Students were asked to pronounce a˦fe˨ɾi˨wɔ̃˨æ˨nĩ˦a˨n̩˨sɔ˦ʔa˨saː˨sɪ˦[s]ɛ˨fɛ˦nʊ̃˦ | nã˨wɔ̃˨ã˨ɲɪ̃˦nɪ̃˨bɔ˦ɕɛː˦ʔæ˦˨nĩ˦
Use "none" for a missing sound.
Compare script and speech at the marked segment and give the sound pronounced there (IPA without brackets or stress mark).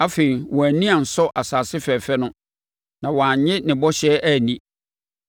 f